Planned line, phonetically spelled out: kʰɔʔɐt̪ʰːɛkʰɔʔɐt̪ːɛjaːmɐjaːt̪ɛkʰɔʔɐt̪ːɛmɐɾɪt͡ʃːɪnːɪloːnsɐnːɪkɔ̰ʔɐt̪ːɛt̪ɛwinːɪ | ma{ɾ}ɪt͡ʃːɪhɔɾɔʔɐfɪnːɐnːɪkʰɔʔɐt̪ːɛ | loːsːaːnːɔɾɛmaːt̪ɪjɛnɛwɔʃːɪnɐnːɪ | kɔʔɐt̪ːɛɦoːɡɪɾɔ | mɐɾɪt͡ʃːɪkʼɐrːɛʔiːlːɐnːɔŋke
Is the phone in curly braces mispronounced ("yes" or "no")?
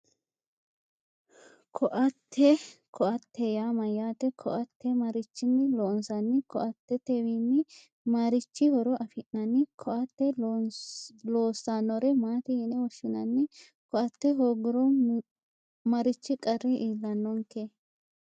no